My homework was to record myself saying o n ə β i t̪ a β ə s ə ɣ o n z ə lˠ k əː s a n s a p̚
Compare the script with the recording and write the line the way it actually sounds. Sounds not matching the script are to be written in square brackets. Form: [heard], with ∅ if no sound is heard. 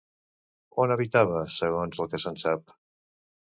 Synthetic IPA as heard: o n ə β i t̪ a β ə s ə ɣ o n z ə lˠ k [ə] s [ə] n s a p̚